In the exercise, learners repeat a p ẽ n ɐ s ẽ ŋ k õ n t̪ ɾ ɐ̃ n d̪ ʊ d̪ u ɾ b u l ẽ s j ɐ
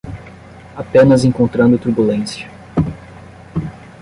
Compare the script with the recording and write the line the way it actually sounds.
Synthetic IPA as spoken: a p ẽ n ɐ z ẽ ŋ k õ n t̪ ɾ ɐ̃ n d̪ ʊ t̪ u ɾ b u l ẽ s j ɐ

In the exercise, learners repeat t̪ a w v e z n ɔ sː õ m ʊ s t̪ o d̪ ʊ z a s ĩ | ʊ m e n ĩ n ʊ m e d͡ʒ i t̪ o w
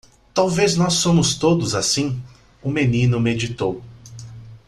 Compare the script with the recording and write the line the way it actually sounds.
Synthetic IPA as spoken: t̪ a w v e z n ɔ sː õ m ʊ s t̪ o d̪ ʊ z a s ĩ | ʊ m e n ĩ n ʊ m e d͡ʒ i t̪ o w

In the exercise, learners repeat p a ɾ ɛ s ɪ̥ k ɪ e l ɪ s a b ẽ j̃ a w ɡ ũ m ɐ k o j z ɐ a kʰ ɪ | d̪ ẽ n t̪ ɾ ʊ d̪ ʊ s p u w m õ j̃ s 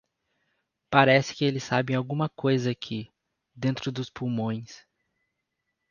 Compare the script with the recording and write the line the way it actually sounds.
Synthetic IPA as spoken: p a ɾ ɛ s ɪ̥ k ɪ e l ɪ s a b ẽ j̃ a w ɡ ũ m ɐ k o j z ɐ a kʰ ɪ | d̪ ẽ n t̪ ɾ ʊ d̪ ʊ s p u w m õ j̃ s

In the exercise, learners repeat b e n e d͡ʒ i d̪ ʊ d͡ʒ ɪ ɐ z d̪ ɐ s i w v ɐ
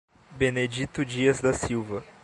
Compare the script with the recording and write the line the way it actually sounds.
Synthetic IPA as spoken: b e n e d͡ʒ i t̪ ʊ d͡ʒ i ɐ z d̪ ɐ s i w v ɐ

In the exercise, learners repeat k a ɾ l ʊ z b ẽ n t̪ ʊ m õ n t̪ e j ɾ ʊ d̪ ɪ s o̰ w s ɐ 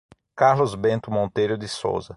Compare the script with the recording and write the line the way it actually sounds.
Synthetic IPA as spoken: k a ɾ l ʊ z b ẽ n t̪ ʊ m õ n t̪ e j ɾ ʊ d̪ ɪ s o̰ w z ɐ

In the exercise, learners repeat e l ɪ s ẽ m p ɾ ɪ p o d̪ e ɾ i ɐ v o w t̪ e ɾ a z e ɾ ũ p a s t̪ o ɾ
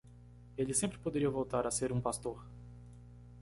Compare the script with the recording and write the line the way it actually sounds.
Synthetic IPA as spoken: e l ɪ s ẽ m p ɾ ɪ p o d̪ e ɾ i ɐ v o w t̪ a ɾ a s e ɾ ũ p a s t̪ o ɾ

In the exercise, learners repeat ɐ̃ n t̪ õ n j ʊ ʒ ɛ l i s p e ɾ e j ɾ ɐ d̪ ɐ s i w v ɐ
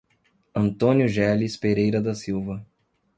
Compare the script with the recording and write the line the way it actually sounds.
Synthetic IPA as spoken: ɐ̃ n t̪ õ n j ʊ ʒ ɛ l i s p e ɾ e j ɾ ɐ d̪ ɐ s i w v ɐ

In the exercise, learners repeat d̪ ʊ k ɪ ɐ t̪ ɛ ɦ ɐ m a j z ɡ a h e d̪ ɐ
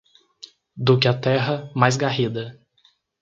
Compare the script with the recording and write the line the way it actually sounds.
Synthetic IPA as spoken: d̪ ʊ k ɪ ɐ t̪ ɛ ɦ ɐ m a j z ɡ a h i d̪ ɐ

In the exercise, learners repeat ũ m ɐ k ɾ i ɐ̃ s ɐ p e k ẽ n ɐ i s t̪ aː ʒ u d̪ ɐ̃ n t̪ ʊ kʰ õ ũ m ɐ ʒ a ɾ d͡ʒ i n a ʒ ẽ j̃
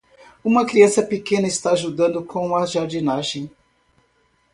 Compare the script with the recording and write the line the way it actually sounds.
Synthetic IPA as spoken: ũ m ɐ k ɾ i ɐ̃ s ɐ p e k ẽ n ɐ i s t̪ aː ʒ u d̪ ɐ̃ n d̪ ʊ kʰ õ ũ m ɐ ʒ a ɾ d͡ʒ i n a ʒ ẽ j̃

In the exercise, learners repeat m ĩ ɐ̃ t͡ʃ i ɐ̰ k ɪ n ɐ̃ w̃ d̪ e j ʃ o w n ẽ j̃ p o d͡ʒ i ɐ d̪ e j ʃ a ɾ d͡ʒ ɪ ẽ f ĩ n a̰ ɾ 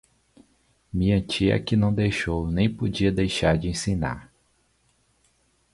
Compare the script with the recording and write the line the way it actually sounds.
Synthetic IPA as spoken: m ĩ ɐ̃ t͡ʃ i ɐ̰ k ɪ n ɐ̃ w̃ d̪ e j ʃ o w n ẽ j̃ p o d͡ʒ i ɐ d̪ e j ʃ a ɾ d͡ʒ ɪ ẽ s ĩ n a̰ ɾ

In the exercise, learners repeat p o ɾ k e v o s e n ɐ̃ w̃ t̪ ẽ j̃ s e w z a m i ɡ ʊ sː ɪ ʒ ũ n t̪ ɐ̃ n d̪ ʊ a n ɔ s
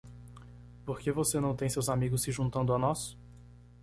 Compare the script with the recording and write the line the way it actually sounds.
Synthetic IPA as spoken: p o ɾ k e v o s e n ɐ̃ w̃ t̪ ẽ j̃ s e w z a m i ɡ ʊ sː ɪ ʒ ũ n t̪ ɐ̃ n d̪ ʊ a n ɔ s

